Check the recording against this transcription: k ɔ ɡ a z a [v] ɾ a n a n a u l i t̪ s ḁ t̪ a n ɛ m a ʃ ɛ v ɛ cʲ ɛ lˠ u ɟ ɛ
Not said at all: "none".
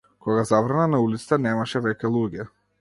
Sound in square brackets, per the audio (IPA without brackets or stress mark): v